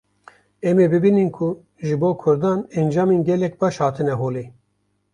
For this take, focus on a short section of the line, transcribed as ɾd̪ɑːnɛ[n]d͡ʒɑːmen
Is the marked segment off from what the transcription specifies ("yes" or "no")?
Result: no